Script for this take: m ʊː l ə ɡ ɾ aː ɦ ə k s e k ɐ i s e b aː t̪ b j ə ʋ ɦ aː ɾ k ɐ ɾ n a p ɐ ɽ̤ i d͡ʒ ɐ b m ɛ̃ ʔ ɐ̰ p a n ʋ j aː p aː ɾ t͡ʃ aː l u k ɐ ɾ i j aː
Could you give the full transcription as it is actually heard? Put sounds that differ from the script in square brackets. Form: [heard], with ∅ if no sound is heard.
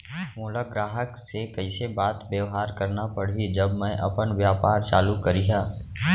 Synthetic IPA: m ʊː l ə ɡ ɾ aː ɦ ə k s e k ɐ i s e b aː t̪ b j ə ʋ ɦ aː ɾ k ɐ ɾ n a p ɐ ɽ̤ i d͡ʒ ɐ b m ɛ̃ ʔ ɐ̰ p [ə] n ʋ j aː p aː ɾ t͡ʃ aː l u k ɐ ɾ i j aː